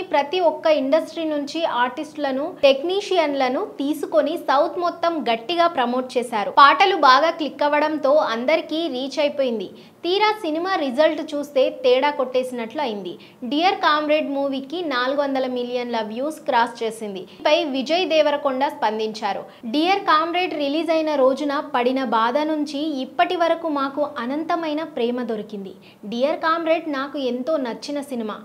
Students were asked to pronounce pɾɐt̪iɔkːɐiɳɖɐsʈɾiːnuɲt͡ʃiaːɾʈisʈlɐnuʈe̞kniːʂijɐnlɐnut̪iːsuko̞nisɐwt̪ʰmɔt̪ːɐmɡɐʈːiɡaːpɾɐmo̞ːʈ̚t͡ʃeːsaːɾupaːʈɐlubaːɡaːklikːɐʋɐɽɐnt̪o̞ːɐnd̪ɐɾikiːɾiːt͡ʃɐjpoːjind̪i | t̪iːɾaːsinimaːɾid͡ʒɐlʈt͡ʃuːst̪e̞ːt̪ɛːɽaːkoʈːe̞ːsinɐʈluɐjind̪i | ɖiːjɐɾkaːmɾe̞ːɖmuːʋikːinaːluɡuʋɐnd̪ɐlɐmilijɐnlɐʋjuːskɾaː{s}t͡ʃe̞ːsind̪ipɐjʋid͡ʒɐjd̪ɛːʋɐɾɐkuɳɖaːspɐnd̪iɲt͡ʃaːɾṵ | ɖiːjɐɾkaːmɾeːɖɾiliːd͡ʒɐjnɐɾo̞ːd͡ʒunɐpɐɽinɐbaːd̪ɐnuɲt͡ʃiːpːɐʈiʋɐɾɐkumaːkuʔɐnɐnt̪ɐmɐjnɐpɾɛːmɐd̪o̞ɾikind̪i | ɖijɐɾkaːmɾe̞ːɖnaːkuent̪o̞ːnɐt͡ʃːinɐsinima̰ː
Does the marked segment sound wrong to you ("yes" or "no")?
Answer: no